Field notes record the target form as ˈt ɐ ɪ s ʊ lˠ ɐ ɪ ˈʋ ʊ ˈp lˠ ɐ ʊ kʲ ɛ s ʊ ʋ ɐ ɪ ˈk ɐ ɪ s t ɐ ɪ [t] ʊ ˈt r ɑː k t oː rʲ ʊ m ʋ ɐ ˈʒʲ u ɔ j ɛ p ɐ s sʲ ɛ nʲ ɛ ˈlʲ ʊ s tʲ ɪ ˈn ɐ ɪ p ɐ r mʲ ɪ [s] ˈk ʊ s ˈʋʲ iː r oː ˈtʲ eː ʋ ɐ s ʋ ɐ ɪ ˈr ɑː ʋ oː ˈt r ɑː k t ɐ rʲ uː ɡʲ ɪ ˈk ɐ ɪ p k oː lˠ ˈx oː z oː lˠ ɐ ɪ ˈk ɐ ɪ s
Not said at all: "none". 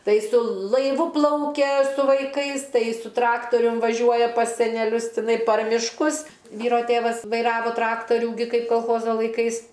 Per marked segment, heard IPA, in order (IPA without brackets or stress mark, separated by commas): s, ʃ